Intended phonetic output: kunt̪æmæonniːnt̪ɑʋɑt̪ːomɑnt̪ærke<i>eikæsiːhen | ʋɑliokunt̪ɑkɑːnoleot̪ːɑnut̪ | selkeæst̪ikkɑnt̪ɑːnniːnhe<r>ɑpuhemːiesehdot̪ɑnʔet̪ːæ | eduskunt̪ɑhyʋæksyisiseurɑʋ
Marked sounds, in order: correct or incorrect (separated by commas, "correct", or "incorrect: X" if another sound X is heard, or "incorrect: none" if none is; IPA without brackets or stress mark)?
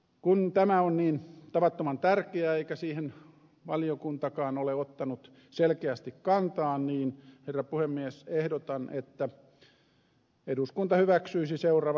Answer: incorrect: æ, incorrect: rː